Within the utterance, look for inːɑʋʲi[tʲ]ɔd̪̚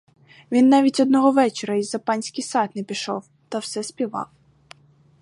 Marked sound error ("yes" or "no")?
no